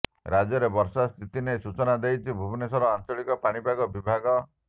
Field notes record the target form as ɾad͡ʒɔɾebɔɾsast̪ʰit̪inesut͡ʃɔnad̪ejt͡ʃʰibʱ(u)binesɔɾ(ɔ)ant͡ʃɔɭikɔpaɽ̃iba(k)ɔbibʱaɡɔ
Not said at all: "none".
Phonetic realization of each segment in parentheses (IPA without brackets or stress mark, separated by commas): u, ɔ, ɡ